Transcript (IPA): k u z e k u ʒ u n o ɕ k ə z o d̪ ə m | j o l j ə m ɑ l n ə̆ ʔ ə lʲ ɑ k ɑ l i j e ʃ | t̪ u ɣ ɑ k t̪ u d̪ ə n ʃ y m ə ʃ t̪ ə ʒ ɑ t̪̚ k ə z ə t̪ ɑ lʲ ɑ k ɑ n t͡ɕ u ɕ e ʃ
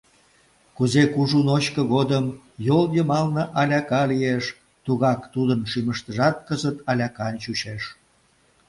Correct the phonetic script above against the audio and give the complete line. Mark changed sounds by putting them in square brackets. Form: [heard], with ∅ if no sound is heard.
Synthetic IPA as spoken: k u z e k u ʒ u n o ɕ k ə [ɣ] o d̪ ə m | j o l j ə m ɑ l n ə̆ ʔ [ɑ] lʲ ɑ k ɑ l i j e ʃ | t̪ u ɣ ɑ k t̪ u d̪ ə n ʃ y m ə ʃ t̪ ə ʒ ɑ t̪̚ k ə z ə t̪ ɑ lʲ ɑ k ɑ n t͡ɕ u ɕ e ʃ